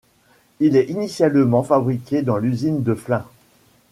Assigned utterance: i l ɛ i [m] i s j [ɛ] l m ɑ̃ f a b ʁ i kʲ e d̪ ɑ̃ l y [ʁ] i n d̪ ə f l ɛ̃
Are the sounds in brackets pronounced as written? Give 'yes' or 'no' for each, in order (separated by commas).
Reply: no, no, no